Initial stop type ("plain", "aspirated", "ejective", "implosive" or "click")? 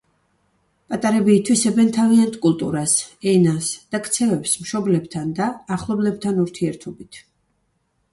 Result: ejective